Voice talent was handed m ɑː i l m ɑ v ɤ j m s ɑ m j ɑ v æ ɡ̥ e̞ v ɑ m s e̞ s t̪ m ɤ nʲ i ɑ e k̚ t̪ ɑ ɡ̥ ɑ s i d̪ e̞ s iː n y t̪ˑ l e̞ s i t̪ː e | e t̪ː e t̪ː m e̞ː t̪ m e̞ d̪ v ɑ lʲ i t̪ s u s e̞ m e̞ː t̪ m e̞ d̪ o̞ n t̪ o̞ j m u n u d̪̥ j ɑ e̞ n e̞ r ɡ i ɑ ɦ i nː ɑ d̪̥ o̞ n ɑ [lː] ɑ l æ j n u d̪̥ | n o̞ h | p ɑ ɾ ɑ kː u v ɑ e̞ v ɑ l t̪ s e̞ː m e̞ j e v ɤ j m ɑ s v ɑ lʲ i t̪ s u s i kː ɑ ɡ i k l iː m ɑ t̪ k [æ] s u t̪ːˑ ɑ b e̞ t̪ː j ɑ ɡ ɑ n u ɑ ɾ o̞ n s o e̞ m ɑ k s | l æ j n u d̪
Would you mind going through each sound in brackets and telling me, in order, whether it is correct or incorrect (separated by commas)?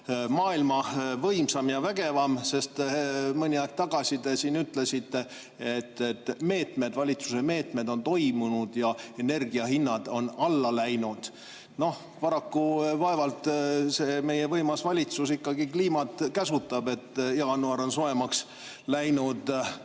correct, correct